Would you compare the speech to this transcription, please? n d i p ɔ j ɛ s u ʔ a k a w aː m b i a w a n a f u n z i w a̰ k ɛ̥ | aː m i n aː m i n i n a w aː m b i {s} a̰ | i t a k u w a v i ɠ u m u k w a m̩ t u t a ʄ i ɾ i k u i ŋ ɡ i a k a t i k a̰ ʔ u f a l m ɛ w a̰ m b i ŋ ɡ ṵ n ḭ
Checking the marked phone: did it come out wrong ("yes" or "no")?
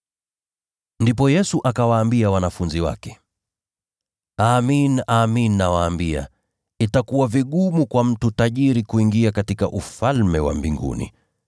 yes